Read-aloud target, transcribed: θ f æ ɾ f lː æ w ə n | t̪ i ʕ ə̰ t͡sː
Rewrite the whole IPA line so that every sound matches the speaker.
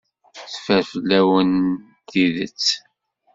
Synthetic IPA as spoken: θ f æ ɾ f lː æ w ə n | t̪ i ð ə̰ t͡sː